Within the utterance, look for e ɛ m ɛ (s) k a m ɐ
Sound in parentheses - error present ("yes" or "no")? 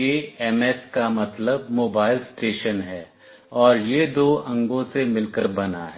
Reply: no